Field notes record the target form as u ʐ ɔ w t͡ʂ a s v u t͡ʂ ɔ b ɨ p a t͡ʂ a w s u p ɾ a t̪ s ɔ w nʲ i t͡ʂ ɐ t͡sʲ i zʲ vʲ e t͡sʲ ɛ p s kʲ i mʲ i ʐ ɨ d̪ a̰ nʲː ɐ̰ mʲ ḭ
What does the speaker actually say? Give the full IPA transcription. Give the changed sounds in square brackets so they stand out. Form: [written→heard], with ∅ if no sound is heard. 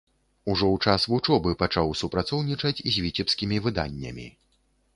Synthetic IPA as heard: u ʐ ɔ w t͡ʂ a s v u t͡ʂ ɔ b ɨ p a t͡ʂ a w s u p ɾ a t̪ s ɔ w nʲ i t͡ʂ ɐ t͡sʲ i zʲ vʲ [e→i] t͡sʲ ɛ p s kʲ i mʲ i [ʐ→v] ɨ d̪ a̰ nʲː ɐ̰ mʲ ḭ